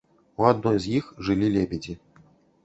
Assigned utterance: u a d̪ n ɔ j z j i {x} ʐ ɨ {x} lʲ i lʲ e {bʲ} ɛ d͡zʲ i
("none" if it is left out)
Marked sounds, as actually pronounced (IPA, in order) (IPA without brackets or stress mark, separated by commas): x, none, bʲ